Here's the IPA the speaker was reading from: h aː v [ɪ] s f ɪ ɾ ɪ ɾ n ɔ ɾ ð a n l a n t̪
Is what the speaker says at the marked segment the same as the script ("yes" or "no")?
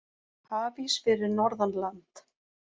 no